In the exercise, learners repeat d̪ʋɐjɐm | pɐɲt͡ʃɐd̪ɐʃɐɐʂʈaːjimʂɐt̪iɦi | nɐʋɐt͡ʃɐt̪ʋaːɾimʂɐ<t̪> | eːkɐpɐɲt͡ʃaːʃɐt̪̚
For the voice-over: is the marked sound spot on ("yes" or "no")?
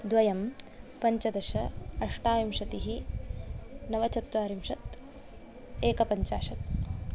yes